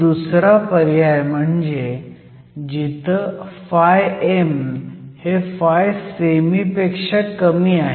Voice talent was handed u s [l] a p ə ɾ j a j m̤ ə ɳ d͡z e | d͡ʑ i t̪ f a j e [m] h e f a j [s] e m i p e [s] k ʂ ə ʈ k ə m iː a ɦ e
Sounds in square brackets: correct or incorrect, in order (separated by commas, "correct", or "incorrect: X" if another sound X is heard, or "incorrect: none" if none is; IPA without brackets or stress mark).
incorrect: ɾ, correct, correct, incorrect: none